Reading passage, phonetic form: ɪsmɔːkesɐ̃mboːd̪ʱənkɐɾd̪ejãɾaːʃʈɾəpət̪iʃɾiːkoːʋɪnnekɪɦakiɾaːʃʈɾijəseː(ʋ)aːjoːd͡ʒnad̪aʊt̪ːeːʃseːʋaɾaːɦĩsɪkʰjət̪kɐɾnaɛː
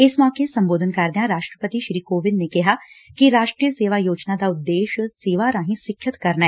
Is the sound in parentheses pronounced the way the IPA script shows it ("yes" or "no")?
yes